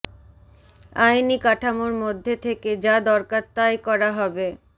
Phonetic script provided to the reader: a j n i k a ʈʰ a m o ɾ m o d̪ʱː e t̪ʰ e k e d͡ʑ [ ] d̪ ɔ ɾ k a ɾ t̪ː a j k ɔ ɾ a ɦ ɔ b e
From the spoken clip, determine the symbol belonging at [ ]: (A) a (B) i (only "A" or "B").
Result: A